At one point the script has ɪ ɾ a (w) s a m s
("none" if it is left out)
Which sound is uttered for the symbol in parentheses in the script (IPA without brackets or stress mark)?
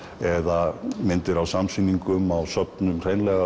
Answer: w